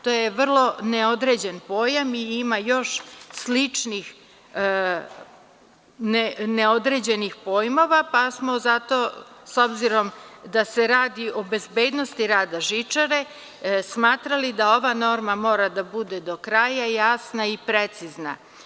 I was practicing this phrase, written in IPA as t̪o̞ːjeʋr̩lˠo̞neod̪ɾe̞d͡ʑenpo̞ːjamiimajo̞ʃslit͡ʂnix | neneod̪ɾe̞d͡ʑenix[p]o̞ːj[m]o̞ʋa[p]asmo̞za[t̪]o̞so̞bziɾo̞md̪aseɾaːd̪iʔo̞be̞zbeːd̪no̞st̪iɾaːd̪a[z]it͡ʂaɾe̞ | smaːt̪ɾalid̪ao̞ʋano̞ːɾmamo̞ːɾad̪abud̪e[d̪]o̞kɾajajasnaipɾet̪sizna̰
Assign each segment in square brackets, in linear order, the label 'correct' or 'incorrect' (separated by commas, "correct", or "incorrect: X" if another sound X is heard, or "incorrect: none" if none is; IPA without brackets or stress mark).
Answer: correct, correct, correct, correct, incorrect: ʒ, correct